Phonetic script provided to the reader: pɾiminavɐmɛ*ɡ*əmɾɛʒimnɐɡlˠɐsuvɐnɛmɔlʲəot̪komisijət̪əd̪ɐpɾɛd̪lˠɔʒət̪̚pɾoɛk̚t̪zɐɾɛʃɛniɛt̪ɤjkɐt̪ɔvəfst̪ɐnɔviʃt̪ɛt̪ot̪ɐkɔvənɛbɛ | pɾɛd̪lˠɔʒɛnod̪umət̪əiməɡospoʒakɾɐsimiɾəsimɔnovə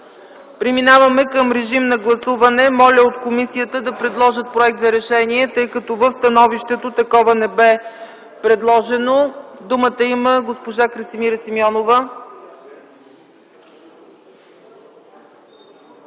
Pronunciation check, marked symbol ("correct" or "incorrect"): incorrect